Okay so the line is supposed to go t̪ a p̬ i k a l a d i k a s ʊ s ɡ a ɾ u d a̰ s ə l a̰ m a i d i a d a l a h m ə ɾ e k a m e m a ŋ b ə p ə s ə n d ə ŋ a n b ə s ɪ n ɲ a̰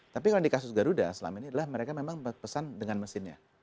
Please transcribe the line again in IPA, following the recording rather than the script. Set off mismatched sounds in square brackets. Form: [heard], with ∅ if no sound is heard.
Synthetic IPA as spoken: t̪ a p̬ i k a l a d i k a s ʊ s ɡ a ɾ u d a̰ s ə l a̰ m a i [n] i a d a l a h m ə ɾ e k a m e m a ŋ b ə p ə s [a] n d ə ŋ a n [m] ə s ɪ n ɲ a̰